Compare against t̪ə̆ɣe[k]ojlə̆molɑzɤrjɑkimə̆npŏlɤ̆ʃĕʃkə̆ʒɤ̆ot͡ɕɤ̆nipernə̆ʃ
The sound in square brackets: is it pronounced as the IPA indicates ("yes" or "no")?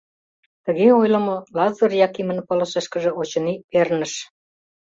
no